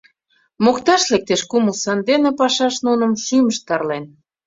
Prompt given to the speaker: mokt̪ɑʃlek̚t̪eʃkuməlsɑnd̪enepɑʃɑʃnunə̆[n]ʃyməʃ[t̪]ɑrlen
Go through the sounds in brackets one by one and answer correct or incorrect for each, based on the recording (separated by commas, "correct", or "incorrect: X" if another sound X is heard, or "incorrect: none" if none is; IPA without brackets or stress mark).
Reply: incorrect: m, correct